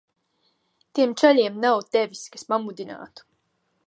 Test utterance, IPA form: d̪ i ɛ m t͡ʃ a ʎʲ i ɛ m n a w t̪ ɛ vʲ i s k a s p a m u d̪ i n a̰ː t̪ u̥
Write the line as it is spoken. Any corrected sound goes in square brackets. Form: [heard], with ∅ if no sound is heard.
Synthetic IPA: [t̪] i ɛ m t͡ʃ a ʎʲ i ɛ m n a w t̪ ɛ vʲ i s k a s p a m u d̪ i n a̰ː t̪ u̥